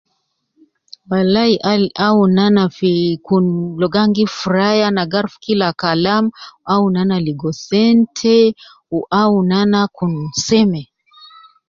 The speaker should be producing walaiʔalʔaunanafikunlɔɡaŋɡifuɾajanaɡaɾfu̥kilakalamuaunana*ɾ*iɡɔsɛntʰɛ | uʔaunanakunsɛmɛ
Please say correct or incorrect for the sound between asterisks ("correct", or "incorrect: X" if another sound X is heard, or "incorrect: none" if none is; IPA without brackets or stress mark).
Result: incorrect: l